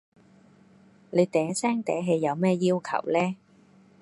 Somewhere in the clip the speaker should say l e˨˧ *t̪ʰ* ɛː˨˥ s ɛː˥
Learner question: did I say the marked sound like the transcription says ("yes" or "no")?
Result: no